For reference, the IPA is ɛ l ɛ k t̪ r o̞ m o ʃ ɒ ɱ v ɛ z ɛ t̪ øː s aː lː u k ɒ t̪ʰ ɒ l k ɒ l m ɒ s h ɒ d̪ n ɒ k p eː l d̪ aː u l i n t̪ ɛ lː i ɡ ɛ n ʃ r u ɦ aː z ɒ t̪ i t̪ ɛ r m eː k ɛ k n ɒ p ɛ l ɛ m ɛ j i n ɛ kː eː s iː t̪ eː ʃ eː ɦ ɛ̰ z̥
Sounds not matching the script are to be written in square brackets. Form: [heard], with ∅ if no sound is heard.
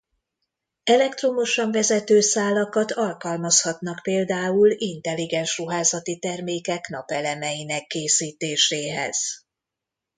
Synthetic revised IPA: ɛ l ɛ k t̪ r o̞ m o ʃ ɒ ɱ v ɛ z ɛ t̪ øː s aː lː [ɒ] k ɒ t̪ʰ ɒ l k ɒ l m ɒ s h ɒ [t̪] n ɒ k p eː l d̪ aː u l i n t̪ ɛ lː i ɡ ɛ n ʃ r u ɦ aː z ɒ t̪ i t̪ ɛ r m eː k ɛ k n ɒ p ɛ l ɛ m ɛ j i n ɛ kː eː s iː t̪ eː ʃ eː ɦ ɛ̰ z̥